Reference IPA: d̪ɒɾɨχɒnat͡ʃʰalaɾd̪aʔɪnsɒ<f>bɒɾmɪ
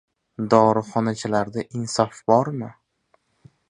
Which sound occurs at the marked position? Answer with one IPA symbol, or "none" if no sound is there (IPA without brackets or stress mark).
f